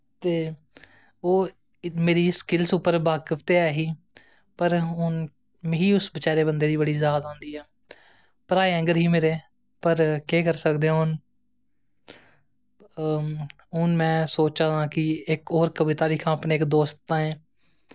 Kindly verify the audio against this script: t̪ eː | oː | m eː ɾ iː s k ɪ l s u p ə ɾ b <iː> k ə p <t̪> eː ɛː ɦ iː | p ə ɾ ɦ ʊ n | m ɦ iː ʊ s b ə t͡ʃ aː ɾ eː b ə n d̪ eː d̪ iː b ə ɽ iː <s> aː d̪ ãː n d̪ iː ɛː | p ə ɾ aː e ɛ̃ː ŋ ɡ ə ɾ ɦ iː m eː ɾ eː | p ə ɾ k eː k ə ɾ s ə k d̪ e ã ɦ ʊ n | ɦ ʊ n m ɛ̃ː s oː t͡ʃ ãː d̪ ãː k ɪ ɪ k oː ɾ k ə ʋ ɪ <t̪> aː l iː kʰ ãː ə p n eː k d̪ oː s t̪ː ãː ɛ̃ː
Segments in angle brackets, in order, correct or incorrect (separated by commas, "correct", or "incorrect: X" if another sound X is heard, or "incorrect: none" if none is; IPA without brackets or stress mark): incorrect: aː, correct, incorrect: z, correct